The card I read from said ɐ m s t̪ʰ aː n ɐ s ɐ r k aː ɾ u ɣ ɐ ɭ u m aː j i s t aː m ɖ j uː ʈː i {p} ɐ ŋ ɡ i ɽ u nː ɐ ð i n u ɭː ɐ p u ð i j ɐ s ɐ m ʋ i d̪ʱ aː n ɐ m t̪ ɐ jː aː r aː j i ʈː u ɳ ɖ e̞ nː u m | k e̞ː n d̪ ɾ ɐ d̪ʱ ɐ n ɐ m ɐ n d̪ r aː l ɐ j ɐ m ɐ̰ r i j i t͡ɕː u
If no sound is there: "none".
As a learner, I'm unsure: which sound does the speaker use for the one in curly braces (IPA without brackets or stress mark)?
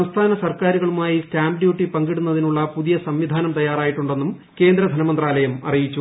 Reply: p